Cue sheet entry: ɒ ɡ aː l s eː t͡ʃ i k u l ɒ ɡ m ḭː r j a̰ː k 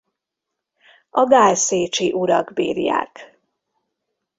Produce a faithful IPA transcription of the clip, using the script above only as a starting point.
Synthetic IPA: ɒ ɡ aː l s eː t͡ʃ i ʔ u ɾ ɒ ɡ b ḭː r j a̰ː k